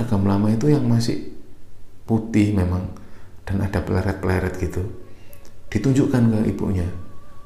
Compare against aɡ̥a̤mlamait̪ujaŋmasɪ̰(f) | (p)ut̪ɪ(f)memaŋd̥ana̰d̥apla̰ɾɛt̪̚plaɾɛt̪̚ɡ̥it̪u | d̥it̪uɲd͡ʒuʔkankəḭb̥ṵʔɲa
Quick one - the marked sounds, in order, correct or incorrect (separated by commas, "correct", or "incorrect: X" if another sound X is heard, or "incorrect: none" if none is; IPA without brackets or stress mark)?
incorrect: h, correct, incorrect: h